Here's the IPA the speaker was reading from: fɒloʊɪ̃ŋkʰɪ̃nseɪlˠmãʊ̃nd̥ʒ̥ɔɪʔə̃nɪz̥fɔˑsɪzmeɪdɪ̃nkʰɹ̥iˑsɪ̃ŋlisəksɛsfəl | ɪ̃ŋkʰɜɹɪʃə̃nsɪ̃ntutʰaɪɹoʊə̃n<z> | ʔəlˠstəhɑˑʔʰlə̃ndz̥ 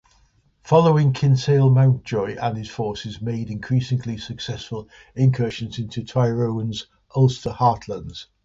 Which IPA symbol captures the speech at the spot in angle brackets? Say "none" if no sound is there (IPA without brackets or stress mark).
z